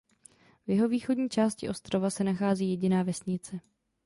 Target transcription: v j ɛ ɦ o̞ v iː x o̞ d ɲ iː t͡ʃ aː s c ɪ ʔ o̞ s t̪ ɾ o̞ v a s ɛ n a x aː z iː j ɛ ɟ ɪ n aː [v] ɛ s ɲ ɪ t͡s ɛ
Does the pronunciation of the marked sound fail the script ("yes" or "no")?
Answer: no